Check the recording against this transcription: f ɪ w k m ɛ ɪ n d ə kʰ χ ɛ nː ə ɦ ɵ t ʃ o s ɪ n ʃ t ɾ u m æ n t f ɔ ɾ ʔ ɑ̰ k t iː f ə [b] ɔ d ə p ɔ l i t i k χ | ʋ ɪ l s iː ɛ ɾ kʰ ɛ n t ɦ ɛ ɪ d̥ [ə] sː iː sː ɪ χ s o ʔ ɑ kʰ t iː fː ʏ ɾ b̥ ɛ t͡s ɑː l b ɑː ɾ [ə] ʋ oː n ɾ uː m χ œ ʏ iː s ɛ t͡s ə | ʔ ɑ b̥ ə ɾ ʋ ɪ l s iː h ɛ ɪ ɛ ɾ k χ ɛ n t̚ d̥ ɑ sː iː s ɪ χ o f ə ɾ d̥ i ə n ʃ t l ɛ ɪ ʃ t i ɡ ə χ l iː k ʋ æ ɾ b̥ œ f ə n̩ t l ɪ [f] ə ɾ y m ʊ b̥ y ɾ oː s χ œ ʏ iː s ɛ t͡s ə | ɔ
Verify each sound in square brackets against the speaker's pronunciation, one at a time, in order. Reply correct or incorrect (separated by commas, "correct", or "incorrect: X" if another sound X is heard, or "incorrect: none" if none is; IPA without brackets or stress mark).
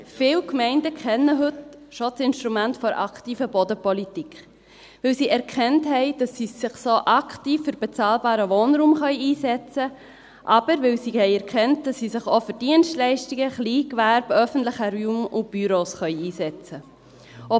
correct, incorrect: ɑ, correct, incorrect: χ